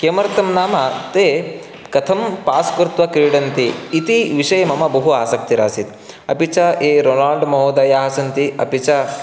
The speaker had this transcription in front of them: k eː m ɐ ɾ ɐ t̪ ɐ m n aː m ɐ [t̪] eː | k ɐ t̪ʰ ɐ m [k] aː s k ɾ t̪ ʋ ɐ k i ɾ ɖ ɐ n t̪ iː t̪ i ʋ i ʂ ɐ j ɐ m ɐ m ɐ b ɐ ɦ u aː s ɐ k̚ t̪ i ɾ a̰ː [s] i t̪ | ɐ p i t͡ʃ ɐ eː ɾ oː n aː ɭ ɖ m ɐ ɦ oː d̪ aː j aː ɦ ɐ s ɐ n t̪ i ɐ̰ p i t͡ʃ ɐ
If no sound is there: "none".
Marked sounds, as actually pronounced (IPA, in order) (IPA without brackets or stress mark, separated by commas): t̪, p, s